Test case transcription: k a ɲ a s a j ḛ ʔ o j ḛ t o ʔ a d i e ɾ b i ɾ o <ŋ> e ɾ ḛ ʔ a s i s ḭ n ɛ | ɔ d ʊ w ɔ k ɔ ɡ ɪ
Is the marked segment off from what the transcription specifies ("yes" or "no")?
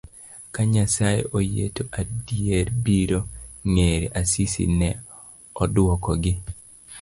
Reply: no